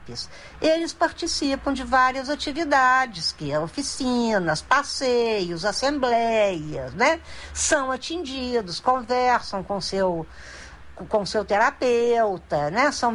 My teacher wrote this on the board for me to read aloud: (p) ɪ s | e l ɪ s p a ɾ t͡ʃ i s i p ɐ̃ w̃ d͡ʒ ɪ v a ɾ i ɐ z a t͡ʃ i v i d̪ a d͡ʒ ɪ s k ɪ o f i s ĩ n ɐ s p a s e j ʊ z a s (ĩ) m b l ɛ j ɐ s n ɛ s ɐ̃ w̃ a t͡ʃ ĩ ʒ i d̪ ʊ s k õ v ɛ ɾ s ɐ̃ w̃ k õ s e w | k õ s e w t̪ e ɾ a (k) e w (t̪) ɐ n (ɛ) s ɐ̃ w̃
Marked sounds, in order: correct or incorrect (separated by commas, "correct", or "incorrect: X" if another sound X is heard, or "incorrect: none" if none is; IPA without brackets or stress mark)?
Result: correct, incorrect: ẽ, incorrect: p, correct, correct